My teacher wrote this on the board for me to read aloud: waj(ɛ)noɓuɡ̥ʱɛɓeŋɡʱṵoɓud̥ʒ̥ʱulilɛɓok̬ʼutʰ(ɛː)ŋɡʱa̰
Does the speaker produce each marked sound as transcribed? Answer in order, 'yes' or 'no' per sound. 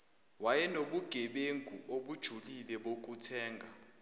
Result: yes, yes

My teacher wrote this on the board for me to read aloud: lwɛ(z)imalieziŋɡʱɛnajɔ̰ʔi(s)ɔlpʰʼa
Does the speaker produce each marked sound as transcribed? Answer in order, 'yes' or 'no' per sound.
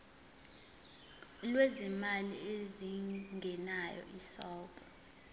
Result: yes, yes

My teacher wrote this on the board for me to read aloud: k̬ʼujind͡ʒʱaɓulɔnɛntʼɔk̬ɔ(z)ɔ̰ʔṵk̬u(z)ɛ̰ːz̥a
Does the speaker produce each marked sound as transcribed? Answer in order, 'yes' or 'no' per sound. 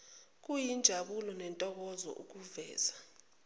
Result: yes, no

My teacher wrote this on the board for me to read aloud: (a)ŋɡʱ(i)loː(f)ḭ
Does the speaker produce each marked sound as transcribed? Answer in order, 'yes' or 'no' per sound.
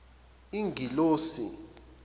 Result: no, yes, no

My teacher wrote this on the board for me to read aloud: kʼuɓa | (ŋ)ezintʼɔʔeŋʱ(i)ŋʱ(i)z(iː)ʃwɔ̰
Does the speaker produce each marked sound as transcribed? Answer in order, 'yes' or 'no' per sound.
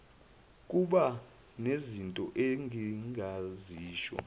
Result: no, yes, no, yes

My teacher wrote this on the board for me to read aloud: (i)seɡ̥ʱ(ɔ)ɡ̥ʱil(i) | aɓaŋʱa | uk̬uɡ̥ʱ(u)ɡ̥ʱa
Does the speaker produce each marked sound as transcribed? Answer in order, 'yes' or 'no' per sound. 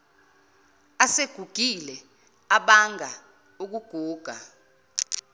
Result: no, no, no, no

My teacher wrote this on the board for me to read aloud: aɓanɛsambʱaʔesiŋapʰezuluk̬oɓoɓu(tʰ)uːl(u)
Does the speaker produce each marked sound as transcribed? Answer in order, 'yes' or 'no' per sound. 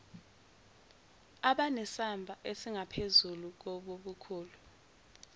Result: no, yes

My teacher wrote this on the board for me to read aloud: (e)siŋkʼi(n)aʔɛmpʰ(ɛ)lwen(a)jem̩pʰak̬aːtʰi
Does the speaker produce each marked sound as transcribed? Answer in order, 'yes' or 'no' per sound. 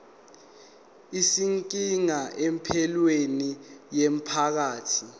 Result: no, no, yes, no

